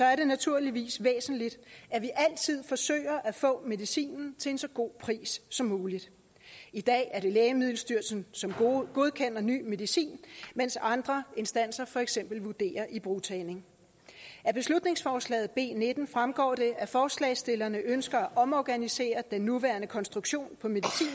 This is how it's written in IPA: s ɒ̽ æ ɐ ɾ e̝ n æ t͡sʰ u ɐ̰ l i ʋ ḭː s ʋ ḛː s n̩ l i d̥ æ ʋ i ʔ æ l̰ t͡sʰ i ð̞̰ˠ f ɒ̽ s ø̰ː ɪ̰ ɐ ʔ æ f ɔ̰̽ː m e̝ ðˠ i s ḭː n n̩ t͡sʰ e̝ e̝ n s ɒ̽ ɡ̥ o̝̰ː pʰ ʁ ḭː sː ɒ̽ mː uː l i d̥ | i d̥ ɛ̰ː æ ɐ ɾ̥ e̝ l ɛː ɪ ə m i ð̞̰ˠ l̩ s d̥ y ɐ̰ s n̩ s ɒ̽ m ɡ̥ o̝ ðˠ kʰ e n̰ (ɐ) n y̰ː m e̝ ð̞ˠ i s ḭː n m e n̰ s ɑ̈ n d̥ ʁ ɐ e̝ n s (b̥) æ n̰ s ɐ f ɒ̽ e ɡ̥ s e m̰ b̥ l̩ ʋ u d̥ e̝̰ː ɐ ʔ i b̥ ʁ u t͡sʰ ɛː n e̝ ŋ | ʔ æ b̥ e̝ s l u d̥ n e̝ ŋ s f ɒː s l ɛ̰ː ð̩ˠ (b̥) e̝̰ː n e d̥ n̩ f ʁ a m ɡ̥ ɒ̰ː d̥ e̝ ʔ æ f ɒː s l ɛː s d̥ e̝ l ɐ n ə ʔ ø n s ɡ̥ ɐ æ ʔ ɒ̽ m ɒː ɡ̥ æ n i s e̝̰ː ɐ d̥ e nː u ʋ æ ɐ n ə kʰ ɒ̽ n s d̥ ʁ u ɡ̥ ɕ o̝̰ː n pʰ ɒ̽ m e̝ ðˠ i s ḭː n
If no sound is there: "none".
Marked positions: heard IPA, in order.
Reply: ɐ, d̥, b̥

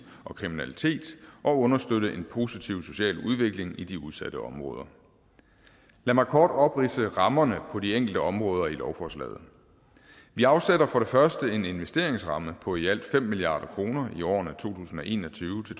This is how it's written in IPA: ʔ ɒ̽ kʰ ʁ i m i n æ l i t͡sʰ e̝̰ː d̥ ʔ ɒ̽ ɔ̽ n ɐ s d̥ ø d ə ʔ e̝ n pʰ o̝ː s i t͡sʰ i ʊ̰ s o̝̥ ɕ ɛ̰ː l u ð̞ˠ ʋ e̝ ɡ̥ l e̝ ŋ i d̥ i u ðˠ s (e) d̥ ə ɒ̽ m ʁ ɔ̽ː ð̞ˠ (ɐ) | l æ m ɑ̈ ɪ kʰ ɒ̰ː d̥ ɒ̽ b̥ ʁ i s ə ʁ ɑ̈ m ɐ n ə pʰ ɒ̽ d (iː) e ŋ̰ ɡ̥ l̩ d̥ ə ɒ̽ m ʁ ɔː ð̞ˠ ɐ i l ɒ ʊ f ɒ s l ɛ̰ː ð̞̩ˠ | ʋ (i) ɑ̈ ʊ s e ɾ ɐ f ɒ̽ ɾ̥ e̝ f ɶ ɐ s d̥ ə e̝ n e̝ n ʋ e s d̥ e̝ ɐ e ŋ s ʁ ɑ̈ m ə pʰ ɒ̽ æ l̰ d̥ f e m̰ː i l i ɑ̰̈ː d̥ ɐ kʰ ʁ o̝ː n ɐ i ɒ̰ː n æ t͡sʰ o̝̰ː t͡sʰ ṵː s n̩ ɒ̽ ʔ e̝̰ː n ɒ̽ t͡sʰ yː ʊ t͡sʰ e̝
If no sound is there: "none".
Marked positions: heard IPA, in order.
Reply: æ, ɐ, i, i

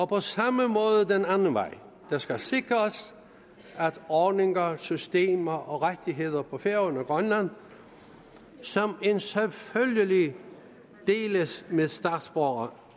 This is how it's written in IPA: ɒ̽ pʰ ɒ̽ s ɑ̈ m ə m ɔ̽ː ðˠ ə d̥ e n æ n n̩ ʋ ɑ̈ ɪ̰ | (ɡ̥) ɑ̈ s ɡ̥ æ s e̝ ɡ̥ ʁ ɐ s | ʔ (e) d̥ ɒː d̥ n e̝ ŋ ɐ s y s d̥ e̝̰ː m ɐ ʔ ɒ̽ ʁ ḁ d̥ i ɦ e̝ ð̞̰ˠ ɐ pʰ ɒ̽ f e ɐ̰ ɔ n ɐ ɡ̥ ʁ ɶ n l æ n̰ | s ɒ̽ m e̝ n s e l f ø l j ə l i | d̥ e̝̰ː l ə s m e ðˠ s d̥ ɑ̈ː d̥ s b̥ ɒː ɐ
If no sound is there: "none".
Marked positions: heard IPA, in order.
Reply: d̥, æ

